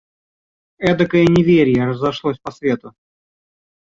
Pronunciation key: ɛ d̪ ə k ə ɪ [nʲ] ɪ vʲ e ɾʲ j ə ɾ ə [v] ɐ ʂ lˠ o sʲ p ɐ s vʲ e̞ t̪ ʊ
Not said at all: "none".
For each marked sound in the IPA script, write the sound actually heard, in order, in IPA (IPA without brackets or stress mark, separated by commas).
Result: nʲ, z